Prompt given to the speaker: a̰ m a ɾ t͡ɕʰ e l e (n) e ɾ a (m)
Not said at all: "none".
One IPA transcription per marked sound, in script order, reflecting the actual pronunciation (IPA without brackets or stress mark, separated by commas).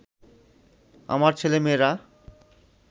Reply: m, none